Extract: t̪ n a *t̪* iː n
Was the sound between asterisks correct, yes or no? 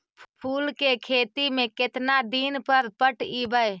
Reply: no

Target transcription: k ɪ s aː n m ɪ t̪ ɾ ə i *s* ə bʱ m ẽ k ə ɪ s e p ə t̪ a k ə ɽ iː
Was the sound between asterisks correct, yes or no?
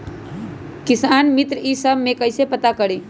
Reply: yes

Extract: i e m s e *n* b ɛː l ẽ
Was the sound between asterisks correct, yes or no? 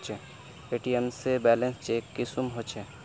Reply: no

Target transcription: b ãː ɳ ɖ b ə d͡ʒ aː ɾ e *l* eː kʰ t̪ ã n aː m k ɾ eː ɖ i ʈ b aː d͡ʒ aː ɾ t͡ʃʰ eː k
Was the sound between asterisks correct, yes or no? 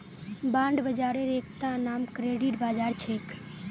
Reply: no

